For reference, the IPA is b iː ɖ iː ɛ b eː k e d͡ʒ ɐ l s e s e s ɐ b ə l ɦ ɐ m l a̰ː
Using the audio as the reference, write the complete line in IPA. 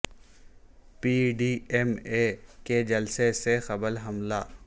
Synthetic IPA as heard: p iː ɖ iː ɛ m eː k e d͡ʒ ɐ l s e s e x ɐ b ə l ɦ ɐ m l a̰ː